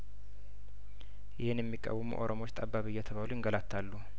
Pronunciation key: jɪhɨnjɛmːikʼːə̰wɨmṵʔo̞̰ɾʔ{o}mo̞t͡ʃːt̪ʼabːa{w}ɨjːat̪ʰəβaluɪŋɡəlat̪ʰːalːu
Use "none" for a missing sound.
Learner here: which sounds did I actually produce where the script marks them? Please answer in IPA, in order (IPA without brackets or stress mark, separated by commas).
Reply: o, β